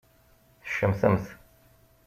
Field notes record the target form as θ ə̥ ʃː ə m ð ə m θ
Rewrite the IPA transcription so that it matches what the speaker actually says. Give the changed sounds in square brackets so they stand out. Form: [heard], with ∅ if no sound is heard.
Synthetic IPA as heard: θ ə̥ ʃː ə m [θ] ə m θ